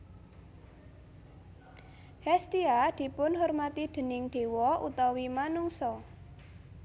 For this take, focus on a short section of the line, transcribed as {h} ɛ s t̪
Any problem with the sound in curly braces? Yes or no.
no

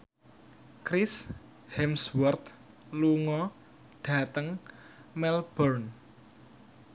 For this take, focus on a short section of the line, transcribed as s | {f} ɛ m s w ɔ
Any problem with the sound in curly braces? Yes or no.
yes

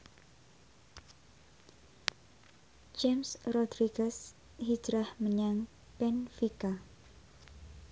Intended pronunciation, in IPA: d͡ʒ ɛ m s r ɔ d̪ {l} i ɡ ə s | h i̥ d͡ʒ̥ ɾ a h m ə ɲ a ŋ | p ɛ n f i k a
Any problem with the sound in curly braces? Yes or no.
yes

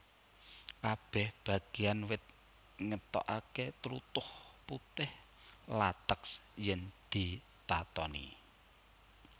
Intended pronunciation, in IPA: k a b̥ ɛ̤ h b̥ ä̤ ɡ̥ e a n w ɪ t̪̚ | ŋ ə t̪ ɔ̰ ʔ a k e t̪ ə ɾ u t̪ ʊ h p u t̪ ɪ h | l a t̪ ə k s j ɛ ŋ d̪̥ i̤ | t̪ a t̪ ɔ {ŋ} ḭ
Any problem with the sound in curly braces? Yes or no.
yes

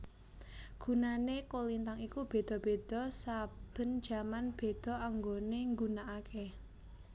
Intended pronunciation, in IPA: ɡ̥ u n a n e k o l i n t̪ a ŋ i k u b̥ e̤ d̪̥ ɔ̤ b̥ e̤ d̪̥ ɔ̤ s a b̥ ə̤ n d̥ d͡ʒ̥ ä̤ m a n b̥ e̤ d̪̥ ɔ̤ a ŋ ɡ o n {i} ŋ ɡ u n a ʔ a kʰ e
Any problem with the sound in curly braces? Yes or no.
yes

